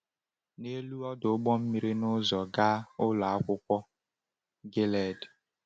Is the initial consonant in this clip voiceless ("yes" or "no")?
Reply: no